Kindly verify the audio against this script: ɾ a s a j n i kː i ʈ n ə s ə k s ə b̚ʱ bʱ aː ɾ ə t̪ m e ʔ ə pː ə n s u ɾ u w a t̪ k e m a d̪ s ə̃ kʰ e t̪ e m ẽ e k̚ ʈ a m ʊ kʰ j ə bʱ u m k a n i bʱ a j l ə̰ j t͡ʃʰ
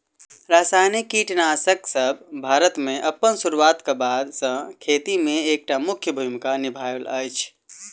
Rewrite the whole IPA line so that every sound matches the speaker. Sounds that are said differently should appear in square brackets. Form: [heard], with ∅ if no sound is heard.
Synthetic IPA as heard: ɾ a s a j n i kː i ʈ n [a] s ə k s ə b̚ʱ bʱ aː ɾ ə t̪ m e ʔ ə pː ə n s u ɾ u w a t̪ k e [b] a d̪ s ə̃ kʰ e t̪ [i] m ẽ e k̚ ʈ a m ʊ kʰ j ə bʱ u m k a n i bʱ a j l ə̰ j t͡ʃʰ